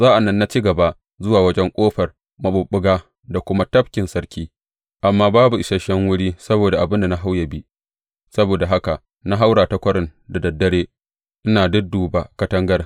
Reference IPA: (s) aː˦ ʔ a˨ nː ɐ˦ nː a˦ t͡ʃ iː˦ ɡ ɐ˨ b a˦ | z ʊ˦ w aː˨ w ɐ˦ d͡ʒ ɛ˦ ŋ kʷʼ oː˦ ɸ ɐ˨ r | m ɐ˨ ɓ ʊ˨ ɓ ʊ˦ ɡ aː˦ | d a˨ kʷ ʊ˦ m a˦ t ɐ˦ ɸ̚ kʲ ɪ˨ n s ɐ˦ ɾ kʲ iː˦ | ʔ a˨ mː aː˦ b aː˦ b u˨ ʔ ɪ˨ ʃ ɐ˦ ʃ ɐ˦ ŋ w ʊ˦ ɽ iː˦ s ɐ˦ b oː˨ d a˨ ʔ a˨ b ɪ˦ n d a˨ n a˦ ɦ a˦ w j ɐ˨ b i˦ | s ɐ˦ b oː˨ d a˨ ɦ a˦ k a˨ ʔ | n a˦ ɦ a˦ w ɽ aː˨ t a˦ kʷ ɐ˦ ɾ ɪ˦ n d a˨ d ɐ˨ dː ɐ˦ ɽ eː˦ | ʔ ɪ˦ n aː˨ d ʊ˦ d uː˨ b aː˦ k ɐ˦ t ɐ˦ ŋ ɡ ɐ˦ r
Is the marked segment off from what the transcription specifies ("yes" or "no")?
yes